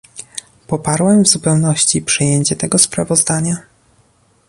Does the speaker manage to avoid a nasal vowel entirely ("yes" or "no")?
yes